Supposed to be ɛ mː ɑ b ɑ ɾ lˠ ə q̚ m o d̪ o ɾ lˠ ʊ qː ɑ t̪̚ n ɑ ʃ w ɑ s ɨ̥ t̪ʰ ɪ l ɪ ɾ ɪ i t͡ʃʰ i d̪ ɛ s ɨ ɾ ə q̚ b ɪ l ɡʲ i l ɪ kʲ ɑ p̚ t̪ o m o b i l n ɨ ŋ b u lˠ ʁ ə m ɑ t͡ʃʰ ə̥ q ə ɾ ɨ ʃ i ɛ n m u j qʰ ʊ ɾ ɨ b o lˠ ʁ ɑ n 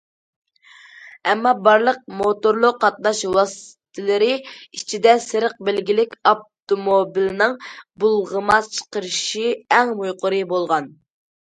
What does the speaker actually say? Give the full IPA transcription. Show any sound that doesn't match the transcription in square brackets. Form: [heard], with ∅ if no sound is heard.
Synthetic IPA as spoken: ɛ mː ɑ b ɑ ɾ lˠ ə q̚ m o [t̪] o ɾ lˠ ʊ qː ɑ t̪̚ n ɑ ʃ w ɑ s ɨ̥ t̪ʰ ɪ l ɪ ɾ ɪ i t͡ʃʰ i d̪ ɛ s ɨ ɾ ə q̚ b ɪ l ɡʲ i l ɪ kʲ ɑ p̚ t̪ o m o b i l n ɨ ŋ b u lˠ ʁ ə m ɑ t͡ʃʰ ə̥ q ə ɾ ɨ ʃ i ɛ [ŋ] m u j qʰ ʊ ɾ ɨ b o lˠ ʁ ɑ n